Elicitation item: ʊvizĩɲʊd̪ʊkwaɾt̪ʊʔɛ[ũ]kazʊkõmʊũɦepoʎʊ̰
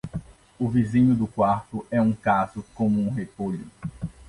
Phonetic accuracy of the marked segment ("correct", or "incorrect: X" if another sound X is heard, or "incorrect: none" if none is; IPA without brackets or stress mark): correct